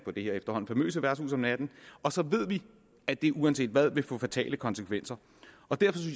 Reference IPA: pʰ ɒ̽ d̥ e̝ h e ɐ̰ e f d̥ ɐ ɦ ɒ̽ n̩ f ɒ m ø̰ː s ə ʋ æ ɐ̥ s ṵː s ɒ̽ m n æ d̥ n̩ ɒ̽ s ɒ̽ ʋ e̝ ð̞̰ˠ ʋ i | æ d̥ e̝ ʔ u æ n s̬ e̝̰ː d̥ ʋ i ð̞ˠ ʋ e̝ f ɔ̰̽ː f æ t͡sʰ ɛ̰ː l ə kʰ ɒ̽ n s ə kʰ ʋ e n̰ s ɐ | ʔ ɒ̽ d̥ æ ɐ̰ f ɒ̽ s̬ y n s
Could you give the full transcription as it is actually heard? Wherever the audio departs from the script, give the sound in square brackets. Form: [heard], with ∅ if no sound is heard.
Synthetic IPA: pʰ ɒ̽ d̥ e̝ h e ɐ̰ e f d̥ ɐ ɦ ɒ̽ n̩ f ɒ m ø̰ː s ə ʋ æ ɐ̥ s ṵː s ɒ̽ m n æ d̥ n̩ ɒ̽ s ɒ̽ ʋ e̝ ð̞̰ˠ ʋ i | æ d̥ e̝ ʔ u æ n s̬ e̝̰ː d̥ ʋ [æ] ð̞ˠ ʋ e̝ f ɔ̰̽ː f æ t͡sʰ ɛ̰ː l ə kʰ ɒ̽ n s ə kʰ ʋ e n̰ s ɐ | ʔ ɒ̽ d̥ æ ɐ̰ f ɒ̽ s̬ y n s